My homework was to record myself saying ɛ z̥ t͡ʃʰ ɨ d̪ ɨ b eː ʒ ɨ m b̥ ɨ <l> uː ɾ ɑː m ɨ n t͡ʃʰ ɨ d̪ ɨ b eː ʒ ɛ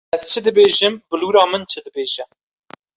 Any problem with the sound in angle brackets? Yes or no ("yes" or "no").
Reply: no